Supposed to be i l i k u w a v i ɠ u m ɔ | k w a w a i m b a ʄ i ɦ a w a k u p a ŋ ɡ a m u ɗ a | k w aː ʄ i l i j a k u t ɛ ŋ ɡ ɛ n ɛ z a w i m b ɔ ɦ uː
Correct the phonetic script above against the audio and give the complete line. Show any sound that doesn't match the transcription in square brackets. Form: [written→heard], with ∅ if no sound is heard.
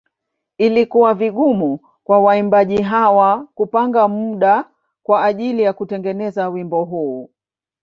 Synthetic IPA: i l i k u w a v i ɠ u m [ɔ→u] | k w a w a i m b a ʄ i ɦ a w a k u p a ŋ ɡ a m u ɗ a | k w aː ʄ i l i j a k u t ɛ ŋ ɡ ɛ n ɛ z a w i m b ɔ ɦ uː